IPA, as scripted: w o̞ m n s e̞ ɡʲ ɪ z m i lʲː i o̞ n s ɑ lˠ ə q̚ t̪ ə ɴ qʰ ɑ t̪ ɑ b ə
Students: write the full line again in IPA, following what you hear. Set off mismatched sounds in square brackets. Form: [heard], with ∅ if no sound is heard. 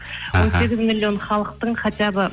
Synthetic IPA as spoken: w o̞ [∅] n s e̞ ɡʲ ɪ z m i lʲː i o̞ n [χ] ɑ lˠ ə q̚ t̪ ə ɴ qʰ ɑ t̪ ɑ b ə